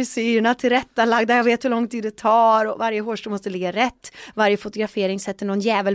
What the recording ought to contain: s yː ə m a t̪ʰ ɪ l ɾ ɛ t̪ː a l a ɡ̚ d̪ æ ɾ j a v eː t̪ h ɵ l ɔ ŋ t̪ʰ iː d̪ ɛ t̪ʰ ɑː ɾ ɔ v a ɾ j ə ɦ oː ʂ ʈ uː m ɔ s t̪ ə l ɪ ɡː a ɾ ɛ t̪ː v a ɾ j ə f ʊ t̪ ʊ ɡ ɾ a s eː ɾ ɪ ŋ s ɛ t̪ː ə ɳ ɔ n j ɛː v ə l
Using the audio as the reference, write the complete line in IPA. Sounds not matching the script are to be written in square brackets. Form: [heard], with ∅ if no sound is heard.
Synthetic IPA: s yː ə [ɳ] a t̪ʰ ɪ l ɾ ɛ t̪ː a l a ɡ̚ d̪ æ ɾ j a v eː t̪ h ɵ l ɔ ŋ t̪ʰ iː d̪ ɛ t̪ʰ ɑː ɾ ɔ v a ɾ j ə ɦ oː ʂ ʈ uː m ɔ s t̪ ə l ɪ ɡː a ɾ ɛ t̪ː v a ɾ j ə f ʊ t̪ ʊ ɡ ɾ a [f] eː ɾ ɪ ŋ s ɛ t̪ː ə ɳ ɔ n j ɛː v ə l